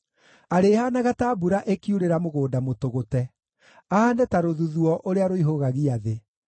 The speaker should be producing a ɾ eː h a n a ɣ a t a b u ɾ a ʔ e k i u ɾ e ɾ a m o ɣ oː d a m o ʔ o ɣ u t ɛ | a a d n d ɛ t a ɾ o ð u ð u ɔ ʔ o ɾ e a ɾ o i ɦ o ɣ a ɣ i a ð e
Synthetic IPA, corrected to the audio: a ɾ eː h a n a ɣ a t a b u ɾ a ʔ e k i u ɾ e ɾ a m o ɣ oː d a m o t o ɣ o t ɛ | a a n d ɛ t a ɾ o ð u ð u ɔ ʔ o ɾ e a ɾ o i ɦ o ɣ a ɣ i a ð e